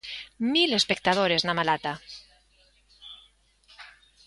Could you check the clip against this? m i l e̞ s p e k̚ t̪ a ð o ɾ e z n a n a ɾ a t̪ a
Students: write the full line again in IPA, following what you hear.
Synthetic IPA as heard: m i l e̞ s p e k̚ t̪ a ð o ɾ e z n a m a l a t̪ a